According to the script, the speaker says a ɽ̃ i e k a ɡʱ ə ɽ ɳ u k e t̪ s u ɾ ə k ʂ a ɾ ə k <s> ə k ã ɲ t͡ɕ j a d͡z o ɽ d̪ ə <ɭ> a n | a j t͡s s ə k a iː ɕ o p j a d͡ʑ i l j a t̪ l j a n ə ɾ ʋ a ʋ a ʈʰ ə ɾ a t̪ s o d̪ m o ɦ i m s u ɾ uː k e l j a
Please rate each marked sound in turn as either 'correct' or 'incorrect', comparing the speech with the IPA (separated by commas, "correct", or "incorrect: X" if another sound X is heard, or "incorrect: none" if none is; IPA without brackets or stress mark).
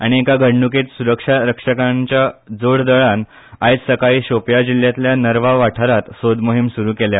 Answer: incorrect: ʂ, correct